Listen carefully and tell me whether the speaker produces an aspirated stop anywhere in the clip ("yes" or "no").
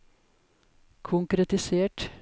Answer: yes